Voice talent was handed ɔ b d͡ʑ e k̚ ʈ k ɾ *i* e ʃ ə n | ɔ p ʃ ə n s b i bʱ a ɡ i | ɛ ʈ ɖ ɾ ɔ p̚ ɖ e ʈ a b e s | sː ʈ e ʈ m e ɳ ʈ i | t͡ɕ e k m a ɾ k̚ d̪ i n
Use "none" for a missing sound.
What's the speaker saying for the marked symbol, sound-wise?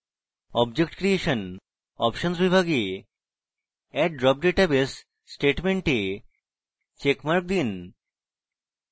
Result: i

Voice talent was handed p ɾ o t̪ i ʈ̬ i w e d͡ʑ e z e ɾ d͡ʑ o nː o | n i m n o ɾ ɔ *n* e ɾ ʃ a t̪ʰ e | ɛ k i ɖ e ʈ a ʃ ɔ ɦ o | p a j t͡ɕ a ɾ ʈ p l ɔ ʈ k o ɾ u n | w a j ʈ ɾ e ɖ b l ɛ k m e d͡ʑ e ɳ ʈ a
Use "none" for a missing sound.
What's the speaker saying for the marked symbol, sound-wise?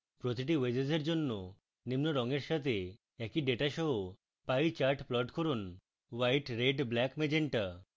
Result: ŋ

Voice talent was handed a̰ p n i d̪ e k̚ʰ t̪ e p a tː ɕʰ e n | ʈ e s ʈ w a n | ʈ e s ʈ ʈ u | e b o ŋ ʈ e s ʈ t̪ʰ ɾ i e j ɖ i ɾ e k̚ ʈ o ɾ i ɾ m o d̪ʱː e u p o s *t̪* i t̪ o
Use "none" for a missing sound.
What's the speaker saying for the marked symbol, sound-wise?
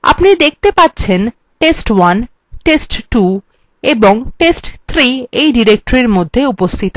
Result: t̪ʰ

